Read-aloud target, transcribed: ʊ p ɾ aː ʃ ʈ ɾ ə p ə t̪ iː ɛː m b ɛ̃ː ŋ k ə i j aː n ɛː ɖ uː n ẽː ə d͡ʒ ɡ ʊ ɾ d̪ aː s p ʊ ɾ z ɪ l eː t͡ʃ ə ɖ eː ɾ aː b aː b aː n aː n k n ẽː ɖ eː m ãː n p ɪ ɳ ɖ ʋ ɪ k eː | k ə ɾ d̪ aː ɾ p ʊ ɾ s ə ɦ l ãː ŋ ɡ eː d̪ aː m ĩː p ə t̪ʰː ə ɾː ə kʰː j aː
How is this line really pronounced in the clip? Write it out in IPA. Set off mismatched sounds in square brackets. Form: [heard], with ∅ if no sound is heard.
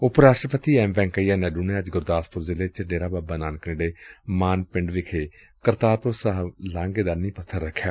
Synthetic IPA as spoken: ʊ p ɾ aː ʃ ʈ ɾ ə p ə t̪ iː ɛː m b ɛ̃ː ŋ k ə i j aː n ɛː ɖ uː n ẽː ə d͡ʒ ɡ ʊ ɾ d̪ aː s p ʊ ɾ z ɪ l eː t͡ʃ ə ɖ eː ɾ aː b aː b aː n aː n k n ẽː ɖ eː m [aː] n p ɪ ɳ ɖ ʋ ɪ [kʰ] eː | k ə ɾ [t̪] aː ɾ p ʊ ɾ s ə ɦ l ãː ŋ ɡ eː d̪ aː [n] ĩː p ə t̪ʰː ə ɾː ə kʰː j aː